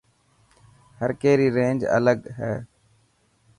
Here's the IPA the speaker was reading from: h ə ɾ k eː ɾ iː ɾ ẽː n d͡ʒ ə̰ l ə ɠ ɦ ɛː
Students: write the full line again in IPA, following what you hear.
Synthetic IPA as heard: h ə ɾ k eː ɾ iː ɾ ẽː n d͡ʒ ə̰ l ə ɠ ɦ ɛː